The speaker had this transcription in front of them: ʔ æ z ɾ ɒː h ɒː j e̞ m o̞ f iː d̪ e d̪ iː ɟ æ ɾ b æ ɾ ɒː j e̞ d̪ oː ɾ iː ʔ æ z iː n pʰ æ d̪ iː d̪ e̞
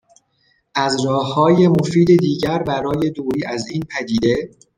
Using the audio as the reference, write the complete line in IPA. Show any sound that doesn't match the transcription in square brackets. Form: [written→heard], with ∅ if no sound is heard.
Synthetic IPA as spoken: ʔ æ z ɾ ɒː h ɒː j e̞ m o̞ f iː d̪ e d̪ iː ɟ æ ɾ b æ ɾ ɒː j e̞ d̪ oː ɾ iː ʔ æ z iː n pʰ æ d̪ iː d̪ e̞

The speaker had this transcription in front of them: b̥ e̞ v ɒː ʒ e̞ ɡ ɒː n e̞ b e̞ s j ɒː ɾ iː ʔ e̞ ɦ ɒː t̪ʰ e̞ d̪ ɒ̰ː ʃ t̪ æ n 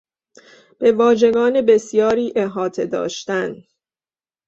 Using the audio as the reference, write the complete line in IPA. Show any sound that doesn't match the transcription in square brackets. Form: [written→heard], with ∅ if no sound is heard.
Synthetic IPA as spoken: b̥ e̞ v ɒː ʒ e̞ ɡ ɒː n e̞ b e̞ s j ɒː ɾ iː ʔ e̞ ɦ ɒː t̪ʰ e̞ d̪ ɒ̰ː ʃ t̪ æ n

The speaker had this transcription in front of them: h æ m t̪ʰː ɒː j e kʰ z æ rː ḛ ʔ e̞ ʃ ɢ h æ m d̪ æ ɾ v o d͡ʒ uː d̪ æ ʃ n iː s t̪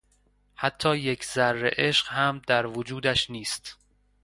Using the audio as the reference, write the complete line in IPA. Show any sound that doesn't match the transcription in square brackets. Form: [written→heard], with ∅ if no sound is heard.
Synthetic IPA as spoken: h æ [m→∅] t̪ʰː ɒː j e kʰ z æ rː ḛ ʔ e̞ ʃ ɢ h æ m d̪ æ ɾ v o d͡ʒ uː d̪ æ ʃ n iː s t̪

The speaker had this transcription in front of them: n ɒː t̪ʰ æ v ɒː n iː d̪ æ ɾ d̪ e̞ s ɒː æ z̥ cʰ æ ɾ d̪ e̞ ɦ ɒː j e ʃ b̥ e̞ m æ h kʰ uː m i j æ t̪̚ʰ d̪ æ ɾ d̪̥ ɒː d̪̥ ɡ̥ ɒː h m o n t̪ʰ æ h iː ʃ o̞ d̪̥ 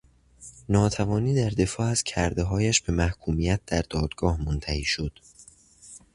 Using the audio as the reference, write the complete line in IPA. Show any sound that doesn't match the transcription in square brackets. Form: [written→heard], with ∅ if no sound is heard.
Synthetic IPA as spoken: n ɒː t̪ʰ æ v ɒː n iː d̪ æ ɾ d̪ e̞ [s→f] ɒː æ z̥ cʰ æ ɾ d̪ e̞ ɦ ɒː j [e→æ] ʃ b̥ e̞ m æ h kʰ uː m i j æ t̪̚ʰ d̪ æ ɾ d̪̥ ɒː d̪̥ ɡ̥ ɒː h m o n t̪ʰ æ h iː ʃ o̞ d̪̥

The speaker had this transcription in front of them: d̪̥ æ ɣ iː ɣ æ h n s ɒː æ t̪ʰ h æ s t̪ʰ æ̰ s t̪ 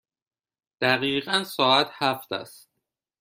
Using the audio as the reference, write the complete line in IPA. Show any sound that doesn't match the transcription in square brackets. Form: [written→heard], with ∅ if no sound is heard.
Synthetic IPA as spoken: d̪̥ æ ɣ iː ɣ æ [h→∅] n s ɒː æ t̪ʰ h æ [s→f] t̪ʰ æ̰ s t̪

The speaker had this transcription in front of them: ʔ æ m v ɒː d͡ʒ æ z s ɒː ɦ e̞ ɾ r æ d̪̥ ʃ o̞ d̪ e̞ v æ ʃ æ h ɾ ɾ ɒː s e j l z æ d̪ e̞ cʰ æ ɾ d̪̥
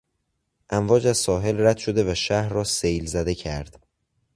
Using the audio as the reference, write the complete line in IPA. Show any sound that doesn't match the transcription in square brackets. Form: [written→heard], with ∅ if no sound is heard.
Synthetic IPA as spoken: ʔ æ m v ɒː d͡ʒ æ z s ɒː ɦ e̞ [ɾ→l] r æ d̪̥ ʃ o̞ d̪ e̞ v æ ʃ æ h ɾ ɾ ɒː s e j l z æ d̪ e̞ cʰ æ ɾ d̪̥

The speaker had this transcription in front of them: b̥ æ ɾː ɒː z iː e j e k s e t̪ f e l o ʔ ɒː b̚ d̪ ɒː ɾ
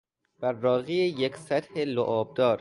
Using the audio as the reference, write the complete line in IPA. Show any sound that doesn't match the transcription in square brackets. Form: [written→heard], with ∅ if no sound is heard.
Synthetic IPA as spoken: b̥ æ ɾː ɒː [z→ɣ] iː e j e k s [e→æ] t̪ [f→h] e l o ʔ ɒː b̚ d̪ ɒː ɾ

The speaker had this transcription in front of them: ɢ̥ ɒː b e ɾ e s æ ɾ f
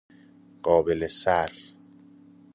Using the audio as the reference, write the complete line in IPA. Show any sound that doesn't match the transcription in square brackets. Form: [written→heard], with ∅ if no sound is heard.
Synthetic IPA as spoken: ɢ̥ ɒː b e [ɾ→l] e s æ ɾ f

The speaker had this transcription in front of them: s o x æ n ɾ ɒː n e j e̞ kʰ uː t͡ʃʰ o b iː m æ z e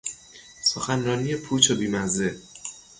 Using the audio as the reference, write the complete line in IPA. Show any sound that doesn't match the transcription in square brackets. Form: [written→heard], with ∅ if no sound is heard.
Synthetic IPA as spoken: s o x æ n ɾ ɒː n [e→i] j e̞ [kʰ→pʰ] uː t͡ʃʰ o b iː m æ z e

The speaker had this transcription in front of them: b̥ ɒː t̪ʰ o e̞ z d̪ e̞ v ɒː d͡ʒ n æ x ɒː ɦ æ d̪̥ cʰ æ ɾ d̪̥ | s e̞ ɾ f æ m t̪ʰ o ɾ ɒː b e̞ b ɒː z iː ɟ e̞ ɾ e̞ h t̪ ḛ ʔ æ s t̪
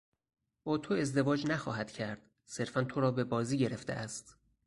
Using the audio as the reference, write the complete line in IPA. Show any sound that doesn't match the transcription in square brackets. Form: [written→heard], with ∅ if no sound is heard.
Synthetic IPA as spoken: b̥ ɒː t̪ʰ o e̞ z d̪ e̞ v ɒː d͡ʒ n æ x ɒː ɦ æ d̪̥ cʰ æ ɾ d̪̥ | s e̞ ɾ f æ [m→n] t̪ʰ o ɾ ɒː b e̞ b ɒː z iː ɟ e̞ ɾ e̞ [h→f] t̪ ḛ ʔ æ s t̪

